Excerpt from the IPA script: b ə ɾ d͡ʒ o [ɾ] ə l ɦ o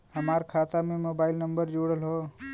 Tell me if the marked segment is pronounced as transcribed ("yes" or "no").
no